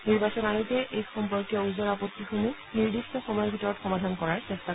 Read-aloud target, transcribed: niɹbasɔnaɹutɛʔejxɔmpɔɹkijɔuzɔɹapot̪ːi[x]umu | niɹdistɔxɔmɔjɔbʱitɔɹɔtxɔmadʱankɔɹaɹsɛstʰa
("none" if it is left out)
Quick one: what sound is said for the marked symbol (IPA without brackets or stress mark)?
x